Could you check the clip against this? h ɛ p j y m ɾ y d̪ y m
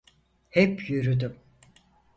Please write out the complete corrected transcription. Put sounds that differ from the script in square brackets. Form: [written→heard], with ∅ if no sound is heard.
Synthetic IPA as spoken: h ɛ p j y [m→∅] ɾ y d̪ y m